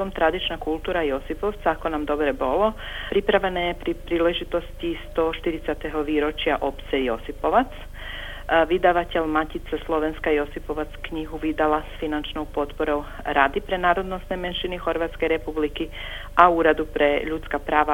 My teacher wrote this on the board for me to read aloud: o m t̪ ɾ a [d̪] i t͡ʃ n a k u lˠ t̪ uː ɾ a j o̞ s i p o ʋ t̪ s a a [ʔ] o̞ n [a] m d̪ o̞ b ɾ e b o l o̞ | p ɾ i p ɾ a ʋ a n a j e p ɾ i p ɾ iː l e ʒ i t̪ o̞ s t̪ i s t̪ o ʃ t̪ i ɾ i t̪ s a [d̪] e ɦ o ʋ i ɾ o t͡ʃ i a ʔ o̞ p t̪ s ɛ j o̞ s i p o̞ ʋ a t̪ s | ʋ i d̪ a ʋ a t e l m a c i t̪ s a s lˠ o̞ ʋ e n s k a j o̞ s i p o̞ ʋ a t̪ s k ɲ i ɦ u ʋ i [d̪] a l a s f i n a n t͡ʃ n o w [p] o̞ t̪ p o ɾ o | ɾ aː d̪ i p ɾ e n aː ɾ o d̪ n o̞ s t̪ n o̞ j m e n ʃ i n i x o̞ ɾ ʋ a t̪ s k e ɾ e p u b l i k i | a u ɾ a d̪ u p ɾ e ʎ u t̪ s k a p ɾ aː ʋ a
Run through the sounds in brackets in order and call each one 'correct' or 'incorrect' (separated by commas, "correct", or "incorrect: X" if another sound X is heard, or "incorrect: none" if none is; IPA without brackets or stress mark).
correct, incorrect: k, correct, incorrect: t̪, correct, correct